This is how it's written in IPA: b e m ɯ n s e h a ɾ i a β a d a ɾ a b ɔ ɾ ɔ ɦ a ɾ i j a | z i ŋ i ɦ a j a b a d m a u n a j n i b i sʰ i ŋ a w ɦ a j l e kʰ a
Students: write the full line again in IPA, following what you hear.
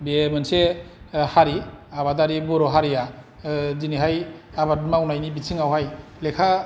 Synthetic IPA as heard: b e m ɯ n s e h a ɾ i a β a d a ɾ i b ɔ ɾ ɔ ɦ a ɾ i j a | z i n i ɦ a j a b a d m a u n a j n i b i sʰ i ŋ a w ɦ a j l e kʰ a